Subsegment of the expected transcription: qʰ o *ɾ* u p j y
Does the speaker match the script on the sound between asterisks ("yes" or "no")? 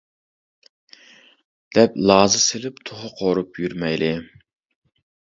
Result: yes